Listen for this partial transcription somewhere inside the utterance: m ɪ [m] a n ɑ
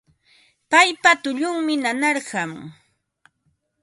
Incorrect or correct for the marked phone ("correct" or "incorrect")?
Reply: incorrect